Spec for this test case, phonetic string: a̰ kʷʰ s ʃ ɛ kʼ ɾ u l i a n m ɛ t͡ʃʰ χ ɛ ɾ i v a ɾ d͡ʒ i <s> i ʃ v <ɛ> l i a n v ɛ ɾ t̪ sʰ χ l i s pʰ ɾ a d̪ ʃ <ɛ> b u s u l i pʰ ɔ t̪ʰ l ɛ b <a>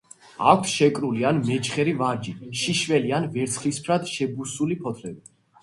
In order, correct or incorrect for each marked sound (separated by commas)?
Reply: incorrect, correct, correct, incorrect